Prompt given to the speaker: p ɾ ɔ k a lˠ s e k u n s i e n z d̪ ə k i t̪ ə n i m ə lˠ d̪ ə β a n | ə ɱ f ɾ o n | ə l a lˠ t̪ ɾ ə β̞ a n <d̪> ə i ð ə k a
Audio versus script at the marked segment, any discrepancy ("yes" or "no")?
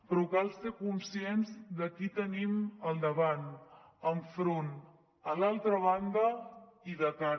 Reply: no